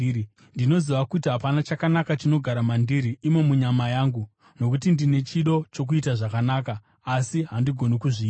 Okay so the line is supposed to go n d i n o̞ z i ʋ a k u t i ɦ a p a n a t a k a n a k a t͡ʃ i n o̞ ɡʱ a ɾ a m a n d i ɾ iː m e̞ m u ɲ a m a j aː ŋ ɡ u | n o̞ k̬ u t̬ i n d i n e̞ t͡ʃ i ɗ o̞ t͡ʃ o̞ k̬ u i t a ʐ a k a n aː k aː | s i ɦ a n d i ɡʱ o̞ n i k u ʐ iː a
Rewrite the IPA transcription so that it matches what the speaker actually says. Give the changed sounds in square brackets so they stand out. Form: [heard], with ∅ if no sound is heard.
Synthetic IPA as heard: n d i n o̞ z i ʋ a k u t i ɦ a p a n a [t͡ʃ] a k a n a k a t͡ʃ i n o̞ ɡʱ a ɾ a m a n d i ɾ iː m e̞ m u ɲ a m a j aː ŋ ɡ u | n o̞ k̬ u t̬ i n d i n e̞ t͡ʃ i ɗ o̞ t͡ʃ o̞ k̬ u i t a ʐ a k a n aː k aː | s i ɦ a n d i ɡʱ o̞ n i k u ʐ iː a